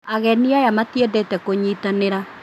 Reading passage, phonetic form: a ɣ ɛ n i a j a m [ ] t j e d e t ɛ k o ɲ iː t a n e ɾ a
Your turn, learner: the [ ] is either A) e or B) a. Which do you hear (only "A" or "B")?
B